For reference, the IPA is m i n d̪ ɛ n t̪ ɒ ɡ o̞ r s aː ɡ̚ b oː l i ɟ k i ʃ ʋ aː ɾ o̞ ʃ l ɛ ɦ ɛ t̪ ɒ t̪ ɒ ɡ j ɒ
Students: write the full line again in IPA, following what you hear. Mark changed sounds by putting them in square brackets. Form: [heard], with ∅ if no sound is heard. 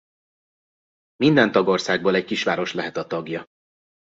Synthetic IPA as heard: m i n d̪ ɛ n t̪ ɒ ɡ o̞ r s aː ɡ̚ b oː l [ɛ] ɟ k i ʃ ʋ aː ɾ o̞ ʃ l ɛ ɦ ɛ t̪ ɒ t̪ ɒ ɡ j ɒ